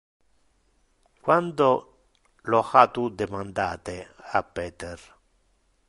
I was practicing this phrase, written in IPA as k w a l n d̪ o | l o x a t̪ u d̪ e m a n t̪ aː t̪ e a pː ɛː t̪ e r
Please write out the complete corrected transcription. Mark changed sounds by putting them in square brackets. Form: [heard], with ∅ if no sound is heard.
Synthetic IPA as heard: k w a [∅] n d̪ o | l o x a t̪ u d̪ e m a n [d̪] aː t̪ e a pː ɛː t̪ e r